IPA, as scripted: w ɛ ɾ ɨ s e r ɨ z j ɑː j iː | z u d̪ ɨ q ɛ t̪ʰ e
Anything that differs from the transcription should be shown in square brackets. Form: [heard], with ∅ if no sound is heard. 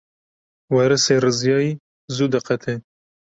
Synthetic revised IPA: w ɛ ɾ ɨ s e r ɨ z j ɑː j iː | z u d̪ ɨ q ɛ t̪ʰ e